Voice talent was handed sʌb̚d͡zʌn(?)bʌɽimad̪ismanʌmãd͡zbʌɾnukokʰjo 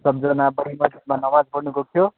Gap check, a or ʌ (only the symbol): a